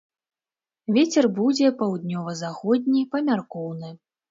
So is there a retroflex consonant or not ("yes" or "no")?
no